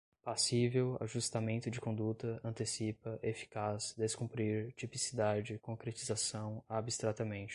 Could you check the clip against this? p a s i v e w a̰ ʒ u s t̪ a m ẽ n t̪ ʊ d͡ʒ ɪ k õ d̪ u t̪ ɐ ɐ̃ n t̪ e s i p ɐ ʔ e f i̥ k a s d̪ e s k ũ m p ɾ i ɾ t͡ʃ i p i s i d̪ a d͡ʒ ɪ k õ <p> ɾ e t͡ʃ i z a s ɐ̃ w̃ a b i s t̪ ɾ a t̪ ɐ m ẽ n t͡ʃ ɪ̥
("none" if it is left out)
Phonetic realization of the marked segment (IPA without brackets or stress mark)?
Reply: k